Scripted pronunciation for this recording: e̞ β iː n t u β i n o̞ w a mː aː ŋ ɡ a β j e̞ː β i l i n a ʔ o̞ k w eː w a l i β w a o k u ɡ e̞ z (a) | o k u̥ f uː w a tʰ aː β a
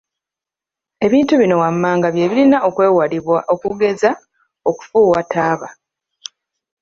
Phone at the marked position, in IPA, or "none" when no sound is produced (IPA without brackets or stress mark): a